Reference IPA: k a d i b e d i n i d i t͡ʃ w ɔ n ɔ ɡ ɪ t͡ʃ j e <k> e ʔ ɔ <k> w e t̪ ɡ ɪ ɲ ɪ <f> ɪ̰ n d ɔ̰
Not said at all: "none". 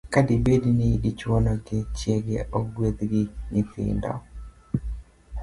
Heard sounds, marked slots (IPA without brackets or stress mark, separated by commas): ɡ, ɡ, f